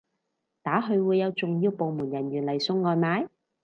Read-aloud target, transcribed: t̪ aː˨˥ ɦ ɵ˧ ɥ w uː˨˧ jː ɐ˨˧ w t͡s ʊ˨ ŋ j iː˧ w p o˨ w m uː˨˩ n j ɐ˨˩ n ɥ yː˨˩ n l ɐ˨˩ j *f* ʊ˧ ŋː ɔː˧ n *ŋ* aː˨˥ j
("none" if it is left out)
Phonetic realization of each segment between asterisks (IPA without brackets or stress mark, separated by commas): s, m